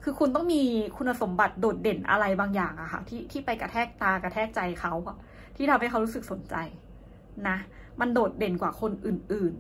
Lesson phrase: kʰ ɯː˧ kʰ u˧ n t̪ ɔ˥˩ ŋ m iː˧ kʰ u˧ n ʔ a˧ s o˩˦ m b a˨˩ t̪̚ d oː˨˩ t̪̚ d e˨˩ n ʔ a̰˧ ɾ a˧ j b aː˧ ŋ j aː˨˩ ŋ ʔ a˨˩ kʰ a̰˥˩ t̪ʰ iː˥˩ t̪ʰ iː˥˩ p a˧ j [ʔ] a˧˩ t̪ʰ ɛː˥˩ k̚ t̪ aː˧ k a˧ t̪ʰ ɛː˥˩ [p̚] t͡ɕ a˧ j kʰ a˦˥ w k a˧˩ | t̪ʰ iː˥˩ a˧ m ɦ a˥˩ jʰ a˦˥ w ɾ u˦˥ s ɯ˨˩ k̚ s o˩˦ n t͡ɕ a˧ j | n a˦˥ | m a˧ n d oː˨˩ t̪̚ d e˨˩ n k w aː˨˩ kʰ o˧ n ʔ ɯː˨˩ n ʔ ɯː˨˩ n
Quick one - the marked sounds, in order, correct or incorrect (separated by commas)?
incorrect, incorrect